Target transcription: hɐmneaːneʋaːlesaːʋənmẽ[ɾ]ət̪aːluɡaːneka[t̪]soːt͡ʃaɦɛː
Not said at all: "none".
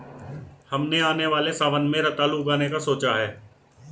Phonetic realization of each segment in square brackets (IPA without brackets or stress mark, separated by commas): ɾ, none